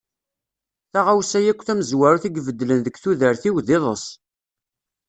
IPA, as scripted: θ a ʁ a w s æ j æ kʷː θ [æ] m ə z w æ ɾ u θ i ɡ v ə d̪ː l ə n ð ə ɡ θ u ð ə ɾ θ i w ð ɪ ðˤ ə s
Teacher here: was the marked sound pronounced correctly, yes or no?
yes